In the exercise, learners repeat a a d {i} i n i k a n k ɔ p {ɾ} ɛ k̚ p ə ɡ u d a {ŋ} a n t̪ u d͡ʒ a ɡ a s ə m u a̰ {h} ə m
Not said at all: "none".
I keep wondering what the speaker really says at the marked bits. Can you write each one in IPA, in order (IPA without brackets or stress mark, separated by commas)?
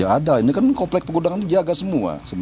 a, l, ŋ, s